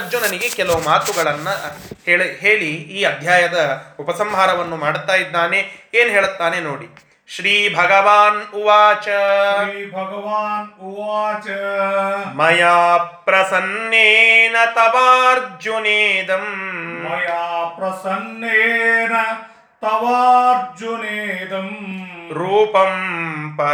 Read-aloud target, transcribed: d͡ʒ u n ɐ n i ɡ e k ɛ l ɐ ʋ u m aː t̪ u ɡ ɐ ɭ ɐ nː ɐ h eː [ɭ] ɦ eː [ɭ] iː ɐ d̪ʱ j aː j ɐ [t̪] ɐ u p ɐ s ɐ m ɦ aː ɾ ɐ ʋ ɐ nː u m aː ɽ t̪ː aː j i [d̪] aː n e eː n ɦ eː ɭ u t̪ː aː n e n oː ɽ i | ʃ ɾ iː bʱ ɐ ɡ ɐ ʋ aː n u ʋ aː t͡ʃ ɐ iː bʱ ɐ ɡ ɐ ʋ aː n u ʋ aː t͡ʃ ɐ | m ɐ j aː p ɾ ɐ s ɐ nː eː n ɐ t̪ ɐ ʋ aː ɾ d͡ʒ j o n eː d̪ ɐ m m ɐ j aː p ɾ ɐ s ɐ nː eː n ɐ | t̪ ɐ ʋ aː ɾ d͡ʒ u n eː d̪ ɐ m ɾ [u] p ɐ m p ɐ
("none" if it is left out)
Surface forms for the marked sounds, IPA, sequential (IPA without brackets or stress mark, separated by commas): ɭ, ɭ, d̪, d̪ː, uː